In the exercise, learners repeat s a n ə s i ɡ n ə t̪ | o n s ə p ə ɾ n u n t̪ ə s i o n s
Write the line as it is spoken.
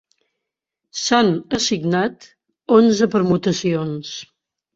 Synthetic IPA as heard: s a n ə s i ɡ n a t̪ | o n z ə p ə ɾ m u t̪ ə s i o n s